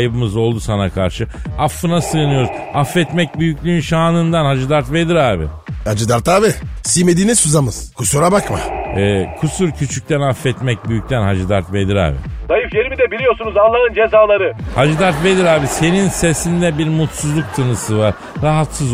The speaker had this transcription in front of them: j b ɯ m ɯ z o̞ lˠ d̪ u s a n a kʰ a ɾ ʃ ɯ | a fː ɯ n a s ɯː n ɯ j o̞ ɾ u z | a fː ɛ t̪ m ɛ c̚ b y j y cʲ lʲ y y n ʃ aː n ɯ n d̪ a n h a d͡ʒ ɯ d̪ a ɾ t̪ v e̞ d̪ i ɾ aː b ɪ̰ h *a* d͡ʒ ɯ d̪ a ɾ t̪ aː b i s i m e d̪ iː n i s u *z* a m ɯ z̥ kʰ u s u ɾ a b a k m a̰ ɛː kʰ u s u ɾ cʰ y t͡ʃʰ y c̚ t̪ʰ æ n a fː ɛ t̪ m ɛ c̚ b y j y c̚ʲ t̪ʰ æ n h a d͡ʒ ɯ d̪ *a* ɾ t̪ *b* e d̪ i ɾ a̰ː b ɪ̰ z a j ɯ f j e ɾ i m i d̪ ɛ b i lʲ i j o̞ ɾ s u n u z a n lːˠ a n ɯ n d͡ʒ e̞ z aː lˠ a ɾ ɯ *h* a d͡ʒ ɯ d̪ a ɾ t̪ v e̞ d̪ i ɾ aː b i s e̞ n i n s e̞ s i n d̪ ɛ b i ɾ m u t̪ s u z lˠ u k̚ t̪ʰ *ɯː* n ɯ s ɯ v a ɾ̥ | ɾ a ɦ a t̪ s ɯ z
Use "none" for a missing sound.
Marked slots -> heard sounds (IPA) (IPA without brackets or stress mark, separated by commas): a, z, a, v, h, ɯ